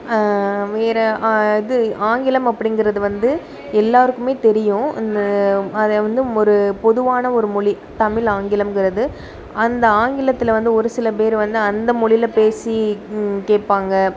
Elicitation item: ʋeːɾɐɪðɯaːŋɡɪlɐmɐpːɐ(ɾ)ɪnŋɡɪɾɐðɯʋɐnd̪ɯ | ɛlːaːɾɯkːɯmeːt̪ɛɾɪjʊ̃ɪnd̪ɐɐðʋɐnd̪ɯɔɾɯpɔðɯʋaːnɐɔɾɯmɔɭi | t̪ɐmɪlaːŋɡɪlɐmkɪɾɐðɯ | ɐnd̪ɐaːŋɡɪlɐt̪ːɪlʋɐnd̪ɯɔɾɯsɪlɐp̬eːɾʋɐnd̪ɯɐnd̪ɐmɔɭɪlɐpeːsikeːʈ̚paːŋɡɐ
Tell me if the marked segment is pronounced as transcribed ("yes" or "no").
no